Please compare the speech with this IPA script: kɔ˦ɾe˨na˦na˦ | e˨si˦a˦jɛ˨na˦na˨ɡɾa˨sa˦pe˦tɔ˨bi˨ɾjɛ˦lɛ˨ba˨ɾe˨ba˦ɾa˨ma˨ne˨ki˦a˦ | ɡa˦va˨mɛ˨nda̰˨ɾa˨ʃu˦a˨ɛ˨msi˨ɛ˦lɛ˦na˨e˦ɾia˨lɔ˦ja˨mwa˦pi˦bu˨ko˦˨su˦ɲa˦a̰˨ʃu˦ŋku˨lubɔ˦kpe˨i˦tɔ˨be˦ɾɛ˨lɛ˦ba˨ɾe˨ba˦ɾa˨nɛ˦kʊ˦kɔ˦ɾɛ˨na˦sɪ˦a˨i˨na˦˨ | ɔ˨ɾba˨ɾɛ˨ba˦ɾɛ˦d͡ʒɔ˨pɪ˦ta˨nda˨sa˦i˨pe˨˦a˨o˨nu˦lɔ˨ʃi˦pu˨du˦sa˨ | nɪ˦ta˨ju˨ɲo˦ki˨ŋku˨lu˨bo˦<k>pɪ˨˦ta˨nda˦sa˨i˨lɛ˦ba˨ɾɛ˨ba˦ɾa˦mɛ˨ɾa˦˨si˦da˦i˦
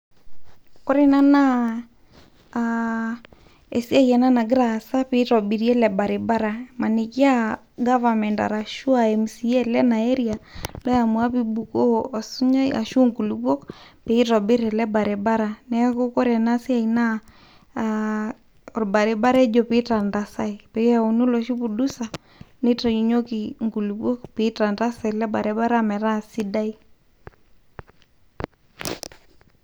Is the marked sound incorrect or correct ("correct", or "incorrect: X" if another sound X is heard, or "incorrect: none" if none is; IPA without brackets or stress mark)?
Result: correct